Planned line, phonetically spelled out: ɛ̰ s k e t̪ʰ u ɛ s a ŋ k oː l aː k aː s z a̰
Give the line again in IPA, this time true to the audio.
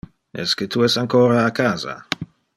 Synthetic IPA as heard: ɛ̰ s k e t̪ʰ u ɛ s a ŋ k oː ɾ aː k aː z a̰